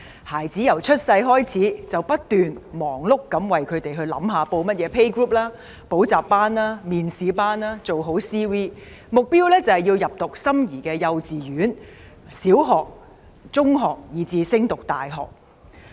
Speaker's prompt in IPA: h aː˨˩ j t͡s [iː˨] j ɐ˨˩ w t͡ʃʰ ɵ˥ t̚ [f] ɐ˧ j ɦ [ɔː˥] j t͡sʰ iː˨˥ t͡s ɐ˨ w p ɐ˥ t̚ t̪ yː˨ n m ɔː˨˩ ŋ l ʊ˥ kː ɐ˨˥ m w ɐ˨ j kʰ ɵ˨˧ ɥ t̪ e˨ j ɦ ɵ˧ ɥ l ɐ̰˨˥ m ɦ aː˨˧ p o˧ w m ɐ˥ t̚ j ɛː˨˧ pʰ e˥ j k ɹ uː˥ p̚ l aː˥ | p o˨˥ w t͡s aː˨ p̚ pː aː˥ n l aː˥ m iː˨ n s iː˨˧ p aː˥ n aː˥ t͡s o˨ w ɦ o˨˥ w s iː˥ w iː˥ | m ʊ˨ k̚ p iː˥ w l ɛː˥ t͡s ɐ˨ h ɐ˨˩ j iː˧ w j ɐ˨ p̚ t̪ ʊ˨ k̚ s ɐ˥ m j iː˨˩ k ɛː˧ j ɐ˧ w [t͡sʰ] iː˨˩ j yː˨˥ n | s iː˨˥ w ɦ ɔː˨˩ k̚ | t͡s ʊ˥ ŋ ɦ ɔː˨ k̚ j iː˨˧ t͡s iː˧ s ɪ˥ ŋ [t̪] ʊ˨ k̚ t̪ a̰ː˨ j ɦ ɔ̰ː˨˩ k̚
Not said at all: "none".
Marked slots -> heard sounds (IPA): iː˨˥, s, ɔː˥, t͡s, t̪

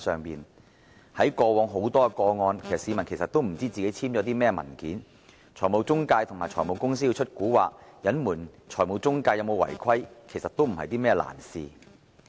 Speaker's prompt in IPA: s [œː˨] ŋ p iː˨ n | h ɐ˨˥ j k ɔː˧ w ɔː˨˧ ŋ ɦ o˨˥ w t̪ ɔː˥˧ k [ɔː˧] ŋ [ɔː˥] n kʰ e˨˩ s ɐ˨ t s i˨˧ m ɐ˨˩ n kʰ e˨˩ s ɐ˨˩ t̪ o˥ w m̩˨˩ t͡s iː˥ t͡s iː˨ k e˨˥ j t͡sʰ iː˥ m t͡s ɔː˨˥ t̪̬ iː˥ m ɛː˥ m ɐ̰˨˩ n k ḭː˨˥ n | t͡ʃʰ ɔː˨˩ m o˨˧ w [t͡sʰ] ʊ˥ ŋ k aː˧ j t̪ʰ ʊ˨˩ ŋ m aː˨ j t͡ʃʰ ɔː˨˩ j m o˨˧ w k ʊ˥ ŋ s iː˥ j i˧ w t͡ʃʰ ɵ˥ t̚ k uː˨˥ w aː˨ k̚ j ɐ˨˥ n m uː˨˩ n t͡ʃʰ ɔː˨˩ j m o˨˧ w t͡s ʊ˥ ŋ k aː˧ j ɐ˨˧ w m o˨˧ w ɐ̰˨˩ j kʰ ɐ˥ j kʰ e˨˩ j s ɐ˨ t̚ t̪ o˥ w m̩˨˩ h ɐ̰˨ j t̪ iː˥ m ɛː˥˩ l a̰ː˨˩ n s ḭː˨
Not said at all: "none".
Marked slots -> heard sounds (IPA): œː˨, ɔː˧, ɔː˧, t͡s

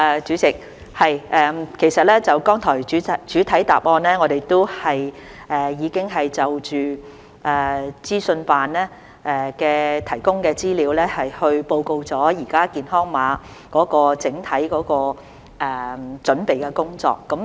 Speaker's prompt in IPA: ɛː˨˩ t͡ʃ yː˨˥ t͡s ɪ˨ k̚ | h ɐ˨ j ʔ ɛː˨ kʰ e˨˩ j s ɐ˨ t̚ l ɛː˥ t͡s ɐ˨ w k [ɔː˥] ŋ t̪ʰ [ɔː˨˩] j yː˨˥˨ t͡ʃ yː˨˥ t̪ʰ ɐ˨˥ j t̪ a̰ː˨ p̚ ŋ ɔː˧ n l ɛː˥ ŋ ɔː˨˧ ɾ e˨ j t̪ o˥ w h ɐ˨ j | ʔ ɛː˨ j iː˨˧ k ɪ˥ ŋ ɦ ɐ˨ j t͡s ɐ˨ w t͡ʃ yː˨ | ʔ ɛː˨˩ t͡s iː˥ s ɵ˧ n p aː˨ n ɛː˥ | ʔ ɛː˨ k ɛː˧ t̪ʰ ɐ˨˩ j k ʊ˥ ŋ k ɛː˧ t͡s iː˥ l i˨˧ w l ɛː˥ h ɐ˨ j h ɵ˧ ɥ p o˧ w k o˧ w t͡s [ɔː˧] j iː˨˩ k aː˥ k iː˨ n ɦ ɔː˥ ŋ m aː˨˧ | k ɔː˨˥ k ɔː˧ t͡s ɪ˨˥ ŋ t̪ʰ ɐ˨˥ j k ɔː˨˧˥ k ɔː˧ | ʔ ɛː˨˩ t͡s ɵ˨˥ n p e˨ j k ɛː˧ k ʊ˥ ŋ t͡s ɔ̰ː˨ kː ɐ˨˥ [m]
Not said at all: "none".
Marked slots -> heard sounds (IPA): ɔː˥, ɔː˨˩, ɔː˨˥, m

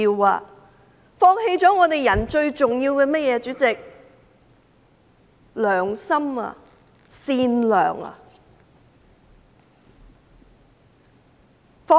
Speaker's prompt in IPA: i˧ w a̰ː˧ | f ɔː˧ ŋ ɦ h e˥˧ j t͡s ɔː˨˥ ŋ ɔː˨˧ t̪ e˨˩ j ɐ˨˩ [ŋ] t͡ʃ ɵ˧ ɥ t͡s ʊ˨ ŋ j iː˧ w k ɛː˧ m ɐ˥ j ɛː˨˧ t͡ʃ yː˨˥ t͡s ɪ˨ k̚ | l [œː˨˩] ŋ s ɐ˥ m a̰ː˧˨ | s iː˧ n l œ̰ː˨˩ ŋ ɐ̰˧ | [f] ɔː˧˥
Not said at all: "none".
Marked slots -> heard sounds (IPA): n, œː˨˩, f

